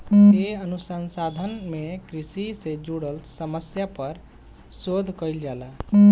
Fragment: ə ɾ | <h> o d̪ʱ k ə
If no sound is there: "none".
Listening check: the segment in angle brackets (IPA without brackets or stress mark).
s